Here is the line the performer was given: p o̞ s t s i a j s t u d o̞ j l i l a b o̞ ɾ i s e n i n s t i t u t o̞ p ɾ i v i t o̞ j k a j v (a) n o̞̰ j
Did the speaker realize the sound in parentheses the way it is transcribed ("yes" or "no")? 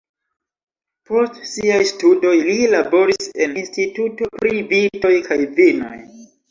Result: no